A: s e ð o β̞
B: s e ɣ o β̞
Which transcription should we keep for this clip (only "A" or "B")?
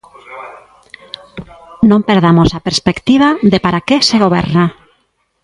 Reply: B